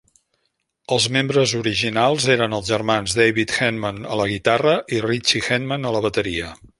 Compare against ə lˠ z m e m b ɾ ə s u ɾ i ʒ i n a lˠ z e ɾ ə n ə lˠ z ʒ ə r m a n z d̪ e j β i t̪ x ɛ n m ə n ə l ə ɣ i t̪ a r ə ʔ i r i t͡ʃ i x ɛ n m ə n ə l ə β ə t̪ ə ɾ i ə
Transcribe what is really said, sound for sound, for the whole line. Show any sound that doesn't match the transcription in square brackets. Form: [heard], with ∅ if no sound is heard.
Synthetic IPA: ə lˠ z m e m b ɾ ə [z] u ɾ i ʒ i n a lˠ z e ɾ ə n ə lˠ z ʒ ə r m a n z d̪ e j β i t̪ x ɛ n m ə n ə l ə ɣ i t̪ a r ə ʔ i r i t͡ʃ i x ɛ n m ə n ə l ə β ə t̪ ə ɾ i ə